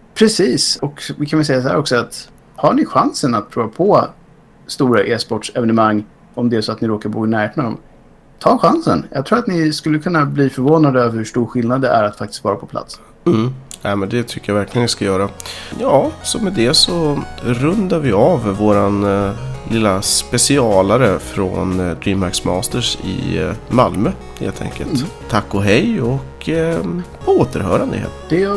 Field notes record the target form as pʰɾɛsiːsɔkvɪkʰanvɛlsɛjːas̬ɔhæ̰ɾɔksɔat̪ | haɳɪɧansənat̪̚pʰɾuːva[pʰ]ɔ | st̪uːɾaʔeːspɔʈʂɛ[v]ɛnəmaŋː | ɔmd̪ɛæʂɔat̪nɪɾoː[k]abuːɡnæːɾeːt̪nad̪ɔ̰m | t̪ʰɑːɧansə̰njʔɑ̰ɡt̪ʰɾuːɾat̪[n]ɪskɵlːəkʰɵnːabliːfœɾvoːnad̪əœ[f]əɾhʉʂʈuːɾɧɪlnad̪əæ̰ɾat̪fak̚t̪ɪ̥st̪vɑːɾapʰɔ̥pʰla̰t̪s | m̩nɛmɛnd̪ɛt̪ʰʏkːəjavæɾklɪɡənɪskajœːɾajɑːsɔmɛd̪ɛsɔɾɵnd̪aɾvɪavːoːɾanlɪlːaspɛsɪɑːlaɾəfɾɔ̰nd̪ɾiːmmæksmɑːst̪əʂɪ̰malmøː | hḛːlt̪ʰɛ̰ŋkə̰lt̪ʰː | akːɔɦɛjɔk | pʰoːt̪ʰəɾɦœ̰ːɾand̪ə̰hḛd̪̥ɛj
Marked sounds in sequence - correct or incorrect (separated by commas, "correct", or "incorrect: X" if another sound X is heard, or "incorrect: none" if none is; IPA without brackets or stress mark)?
correct, correct, correct, correct, incorrect: v